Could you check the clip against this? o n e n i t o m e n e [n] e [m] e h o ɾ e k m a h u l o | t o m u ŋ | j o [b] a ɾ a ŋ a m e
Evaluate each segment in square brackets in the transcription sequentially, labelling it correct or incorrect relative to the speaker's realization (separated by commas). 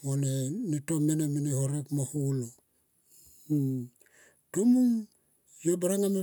incorrect, incorrect, correct